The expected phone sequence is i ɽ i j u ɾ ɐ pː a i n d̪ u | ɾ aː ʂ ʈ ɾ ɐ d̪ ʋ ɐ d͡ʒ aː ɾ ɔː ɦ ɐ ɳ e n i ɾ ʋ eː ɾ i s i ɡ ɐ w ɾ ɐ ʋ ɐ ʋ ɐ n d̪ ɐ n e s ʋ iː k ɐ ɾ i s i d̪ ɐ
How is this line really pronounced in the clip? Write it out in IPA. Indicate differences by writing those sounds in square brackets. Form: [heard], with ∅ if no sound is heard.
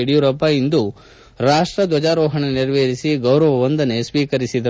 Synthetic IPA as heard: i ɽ i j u ɾ ɐ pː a i n d̪ u | ɾ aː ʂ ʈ ɾ ɐ d̪ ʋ ɐ d͡ʒ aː ɾ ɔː ɦ ɐ ɳ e n i ɾ ʋ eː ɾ i s i ɡ ɐ w ɾ ɐ ʋ ɐ ʋ ɐ n d̪ ɐ n e s ʋ iː k ɐ ɾ i s i d̪ ɐ